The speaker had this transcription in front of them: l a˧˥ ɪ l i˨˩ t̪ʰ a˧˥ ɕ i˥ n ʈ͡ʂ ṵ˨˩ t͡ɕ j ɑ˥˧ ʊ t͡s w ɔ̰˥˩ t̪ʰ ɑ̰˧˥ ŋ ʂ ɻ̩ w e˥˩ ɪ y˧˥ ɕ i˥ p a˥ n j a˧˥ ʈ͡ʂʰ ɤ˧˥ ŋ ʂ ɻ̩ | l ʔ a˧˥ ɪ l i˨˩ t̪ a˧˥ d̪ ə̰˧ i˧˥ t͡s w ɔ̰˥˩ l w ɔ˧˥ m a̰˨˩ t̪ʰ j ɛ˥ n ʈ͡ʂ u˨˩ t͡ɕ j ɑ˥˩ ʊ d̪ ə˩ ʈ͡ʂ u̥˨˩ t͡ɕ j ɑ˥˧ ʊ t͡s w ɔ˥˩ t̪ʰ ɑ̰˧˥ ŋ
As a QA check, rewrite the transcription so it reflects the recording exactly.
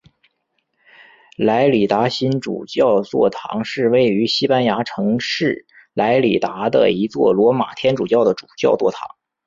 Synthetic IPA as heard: l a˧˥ ɪ l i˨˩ t̪ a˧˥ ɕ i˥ n ʈ͡ʂ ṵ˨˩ t͡ɕ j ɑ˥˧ ʊ t͡s w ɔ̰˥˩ t̪ʰ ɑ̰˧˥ ŋ ʂ ɻ̩ w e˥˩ ɪ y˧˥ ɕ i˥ p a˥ n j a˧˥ ʈ͡ʂʰ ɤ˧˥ ŋ ʂ ɻ̩ | l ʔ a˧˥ ɪ l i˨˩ t̪ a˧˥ d̪ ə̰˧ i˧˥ t͡s w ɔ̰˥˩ l w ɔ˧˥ m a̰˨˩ t̪ʰ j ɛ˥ n ʈ͡ʂ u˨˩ t͡ɕ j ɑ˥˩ ʊ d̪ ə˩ ʈ͡ʂ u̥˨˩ t͡ɕ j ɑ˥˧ ʊ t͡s w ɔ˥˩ t̪ʰ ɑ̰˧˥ ŋ

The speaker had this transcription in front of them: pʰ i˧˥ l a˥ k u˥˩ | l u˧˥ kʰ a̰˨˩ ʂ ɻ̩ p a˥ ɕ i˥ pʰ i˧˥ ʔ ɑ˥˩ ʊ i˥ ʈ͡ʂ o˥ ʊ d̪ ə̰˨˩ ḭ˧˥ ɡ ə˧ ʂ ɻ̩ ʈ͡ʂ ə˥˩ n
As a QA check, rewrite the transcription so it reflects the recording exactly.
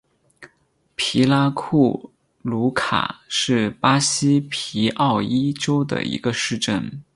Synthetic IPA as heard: pʰ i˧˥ l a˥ kʰ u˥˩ | l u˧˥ kʰ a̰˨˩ ʂ ɻ̩ p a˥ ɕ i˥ pʰ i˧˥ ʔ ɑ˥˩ ʊ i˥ ʈ͡ʂ o˥ ʊ d̪ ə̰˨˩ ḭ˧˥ ɡ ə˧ ʂ ɻ̩ ʈ͡ʂ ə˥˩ n

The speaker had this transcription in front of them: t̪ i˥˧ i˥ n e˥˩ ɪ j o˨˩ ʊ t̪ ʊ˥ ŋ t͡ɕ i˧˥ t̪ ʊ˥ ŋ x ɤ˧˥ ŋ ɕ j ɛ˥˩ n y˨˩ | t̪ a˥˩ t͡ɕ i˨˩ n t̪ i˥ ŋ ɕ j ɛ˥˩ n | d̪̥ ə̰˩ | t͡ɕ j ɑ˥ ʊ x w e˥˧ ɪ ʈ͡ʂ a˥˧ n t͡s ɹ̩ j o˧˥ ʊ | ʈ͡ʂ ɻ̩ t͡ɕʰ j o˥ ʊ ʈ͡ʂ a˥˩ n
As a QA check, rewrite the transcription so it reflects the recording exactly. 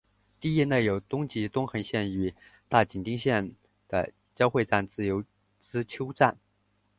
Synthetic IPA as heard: t̪ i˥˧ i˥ n e˥˩ ɪ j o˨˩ ʊ t̪ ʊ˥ ŋ t͡ɕ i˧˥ t̪ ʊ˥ ŋ x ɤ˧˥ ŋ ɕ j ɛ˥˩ n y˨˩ | t̪ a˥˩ t͡ɕ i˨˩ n t̪ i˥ ŋ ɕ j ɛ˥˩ n | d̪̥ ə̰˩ | t͡ɕ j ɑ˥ ʊ x w e˥˧ ɪ ʈ͡ʂ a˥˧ n t͡s ɹ̩ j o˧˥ ʊ | ʈ͡ʂ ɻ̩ t͡ɕʰ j o˥ ʊ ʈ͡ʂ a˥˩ n

